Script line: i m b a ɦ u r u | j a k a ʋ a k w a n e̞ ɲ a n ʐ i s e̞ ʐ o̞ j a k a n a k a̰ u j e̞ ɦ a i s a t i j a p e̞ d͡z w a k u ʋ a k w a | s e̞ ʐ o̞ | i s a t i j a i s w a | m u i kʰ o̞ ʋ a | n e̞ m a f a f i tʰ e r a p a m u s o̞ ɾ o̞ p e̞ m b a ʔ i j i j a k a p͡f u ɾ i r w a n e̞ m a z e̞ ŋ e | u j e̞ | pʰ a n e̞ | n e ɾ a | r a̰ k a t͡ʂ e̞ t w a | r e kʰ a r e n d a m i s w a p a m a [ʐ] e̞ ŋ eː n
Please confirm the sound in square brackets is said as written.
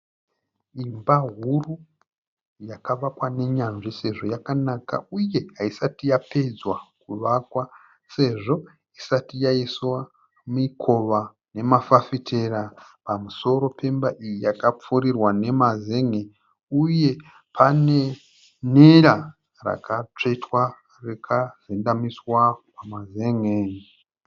no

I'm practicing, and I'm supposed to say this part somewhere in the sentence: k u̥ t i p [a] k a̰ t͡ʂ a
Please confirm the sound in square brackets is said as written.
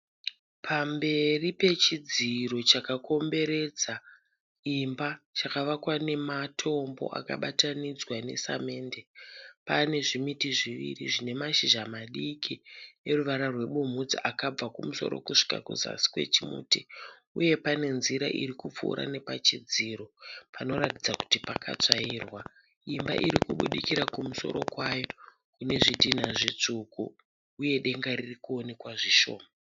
yes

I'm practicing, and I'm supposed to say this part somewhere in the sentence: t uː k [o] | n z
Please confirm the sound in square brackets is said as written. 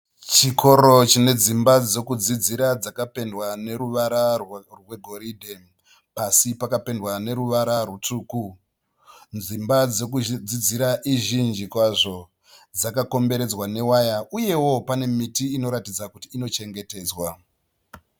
no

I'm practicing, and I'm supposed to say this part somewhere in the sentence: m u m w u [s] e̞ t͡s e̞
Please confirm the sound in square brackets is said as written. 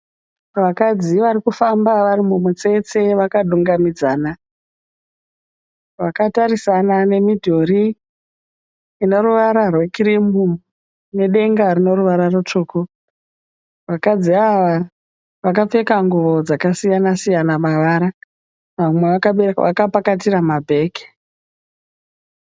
no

